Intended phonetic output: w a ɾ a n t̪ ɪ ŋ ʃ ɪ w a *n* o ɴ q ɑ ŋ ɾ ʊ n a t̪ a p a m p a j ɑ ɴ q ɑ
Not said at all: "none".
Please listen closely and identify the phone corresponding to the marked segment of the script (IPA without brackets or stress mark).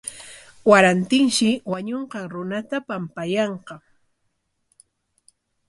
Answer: ɲ